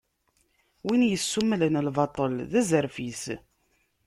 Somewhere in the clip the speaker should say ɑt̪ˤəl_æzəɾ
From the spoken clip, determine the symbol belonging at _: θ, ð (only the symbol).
ð